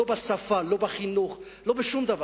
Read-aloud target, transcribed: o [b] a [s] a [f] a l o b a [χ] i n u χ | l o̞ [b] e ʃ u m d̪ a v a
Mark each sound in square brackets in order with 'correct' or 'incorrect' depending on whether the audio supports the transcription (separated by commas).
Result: correct, correct, correct, correct, correct